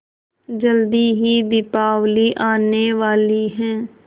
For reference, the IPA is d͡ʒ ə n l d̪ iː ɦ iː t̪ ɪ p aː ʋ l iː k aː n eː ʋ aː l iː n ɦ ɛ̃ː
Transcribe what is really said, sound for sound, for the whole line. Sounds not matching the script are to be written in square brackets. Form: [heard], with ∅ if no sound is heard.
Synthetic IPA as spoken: d͡ʒ ə [∅] l d̪ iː ɦ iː [d̪] ɪ p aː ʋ l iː [ʔ] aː n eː ʋ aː l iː [∅] ɦ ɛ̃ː